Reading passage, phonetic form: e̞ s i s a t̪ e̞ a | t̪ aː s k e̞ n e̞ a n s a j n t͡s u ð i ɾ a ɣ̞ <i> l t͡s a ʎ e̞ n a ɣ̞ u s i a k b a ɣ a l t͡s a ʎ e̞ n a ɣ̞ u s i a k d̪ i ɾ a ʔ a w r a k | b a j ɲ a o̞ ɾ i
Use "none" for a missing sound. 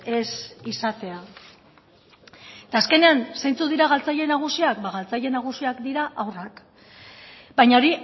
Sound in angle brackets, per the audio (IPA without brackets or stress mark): a